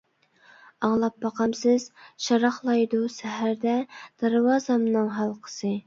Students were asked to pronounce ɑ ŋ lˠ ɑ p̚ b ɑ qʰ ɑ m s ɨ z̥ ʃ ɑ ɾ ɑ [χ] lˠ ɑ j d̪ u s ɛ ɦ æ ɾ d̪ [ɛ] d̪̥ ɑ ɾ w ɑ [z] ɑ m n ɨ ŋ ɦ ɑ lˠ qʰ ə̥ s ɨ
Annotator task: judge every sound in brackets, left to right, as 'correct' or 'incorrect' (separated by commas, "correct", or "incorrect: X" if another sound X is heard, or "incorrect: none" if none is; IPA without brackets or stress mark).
correct, correct, correct